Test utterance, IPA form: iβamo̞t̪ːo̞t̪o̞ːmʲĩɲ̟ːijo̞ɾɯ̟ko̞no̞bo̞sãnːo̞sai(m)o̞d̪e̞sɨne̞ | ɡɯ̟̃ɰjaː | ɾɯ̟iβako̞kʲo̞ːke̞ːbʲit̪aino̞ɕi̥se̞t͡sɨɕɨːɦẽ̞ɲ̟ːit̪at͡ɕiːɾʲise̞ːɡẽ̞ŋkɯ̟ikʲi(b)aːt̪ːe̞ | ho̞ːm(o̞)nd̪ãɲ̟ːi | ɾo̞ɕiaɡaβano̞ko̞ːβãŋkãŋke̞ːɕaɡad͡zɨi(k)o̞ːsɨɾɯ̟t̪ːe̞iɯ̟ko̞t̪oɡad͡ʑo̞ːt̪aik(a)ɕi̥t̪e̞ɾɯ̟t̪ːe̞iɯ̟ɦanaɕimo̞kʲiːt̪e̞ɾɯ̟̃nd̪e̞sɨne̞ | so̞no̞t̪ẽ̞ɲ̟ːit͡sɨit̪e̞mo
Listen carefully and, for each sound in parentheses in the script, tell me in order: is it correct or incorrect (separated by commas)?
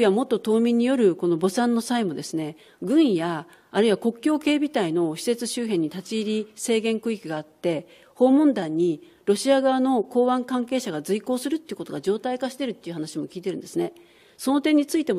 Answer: correct, incorrect, incorrect, correct, correct